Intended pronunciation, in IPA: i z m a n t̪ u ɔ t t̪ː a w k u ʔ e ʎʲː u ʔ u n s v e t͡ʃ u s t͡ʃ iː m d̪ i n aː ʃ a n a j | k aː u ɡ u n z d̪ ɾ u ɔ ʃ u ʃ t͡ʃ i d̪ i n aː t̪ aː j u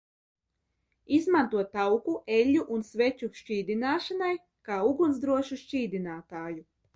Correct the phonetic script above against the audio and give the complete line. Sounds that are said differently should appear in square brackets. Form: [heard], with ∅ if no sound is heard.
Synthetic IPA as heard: i z m a n t̪ u ɔ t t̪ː a w k u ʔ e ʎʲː u ʔ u n s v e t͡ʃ u [ʃ] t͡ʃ iː [∅] d̪ i n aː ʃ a n a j | k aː u ɡ u n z d̪ ɾ u ɔ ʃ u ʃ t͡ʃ [iː] d̪ i n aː t̪ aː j u